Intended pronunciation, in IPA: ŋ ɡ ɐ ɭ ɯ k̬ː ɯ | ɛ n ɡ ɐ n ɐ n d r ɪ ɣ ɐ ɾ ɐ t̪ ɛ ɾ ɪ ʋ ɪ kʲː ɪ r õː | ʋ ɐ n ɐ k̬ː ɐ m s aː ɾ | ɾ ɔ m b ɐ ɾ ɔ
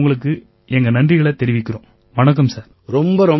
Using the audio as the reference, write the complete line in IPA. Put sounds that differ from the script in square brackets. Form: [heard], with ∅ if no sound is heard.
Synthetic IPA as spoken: ŋ ɡ ɐ ɭ ɯ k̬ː ɯ | ɛ [ŋ] ɡ ɐ n ɐ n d r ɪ ɣ ɐ [ɭ] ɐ t̪ ɛ ɾ ɪ ʋ ɪ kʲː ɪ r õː | ʋ ɐ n ɐ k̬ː ɐ m s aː ɾ | ɾ ɔ m b ɐ ɾ ɔ

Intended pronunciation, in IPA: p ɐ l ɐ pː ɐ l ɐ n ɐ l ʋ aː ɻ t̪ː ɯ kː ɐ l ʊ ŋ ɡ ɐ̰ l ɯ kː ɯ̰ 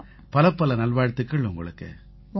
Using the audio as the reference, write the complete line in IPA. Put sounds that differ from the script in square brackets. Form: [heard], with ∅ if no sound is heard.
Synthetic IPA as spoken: p ɐ l ɐ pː ɐ l ɐ n ɐ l ʋ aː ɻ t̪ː ɯ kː ɐ [ɭ] ʊ ŋ ɡ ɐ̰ [ɭ] ɯ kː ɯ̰

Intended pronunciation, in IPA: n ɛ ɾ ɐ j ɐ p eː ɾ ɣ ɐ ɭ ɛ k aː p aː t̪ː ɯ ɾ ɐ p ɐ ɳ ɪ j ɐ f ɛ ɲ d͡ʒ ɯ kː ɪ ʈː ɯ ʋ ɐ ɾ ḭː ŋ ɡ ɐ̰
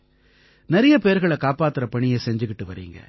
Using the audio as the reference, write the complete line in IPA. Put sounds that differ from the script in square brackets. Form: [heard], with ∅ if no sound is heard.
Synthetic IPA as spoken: n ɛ ɾ ɐ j ɐ p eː ɾ ɣ ɐ ɭ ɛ k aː p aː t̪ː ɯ ɾ ɐ p ɐ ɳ ɪ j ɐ [s] ɛ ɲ d͡ʒ ɯ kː ɪ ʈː ɯ ʋ ɐ ɾ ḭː ŋ ɡ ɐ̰

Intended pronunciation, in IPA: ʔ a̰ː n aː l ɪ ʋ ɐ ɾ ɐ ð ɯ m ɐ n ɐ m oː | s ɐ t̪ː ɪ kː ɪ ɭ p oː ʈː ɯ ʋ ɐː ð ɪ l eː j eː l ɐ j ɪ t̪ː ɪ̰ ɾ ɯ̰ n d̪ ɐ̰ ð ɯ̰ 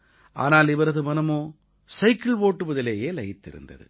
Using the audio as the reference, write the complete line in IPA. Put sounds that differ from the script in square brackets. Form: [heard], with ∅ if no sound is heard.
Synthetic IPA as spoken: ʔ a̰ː n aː l ɪ ʋ ɐ ɾ ɐ ð ɯ m ɐ n ɐ m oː | s ɐ [∅] ɪ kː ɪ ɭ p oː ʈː ɯ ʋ [ɐ] ð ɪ l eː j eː l ɐ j ɪ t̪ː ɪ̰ ɾ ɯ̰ n d̪ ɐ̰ ð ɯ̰

